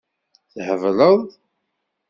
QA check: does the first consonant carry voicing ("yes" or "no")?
no